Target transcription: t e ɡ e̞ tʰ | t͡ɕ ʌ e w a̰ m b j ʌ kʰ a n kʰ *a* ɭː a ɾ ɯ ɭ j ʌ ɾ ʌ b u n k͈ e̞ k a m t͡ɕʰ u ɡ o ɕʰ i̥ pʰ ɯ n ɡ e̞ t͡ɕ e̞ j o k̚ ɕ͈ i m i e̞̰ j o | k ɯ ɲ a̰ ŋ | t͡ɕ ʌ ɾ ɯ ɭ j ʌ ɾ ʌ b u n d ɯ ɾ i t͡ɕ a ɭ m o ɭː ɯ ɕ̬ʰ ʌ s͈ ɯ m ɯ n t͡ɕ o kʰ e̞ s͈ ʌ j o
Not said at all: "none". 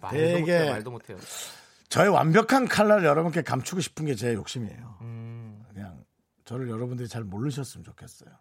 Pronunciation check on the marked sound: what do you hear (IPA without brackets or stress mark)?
a